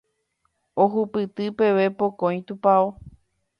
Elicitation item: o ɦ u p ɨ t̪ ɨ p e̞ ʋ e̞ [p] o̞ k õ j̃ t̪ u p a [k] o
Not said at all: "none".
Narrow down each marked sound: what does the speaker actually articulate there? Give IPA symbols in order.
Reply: p, none

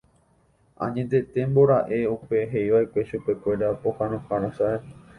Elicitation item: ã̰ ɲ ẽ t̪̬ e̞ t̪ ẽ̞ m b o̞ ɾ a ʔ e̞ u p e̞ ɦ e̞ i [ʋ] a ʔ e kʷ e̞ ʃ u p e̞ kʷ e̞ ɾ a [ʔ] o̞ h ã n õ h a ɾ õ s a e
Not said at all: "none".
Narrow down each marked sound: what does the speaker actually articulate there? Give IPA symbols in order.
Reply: ʋ, p

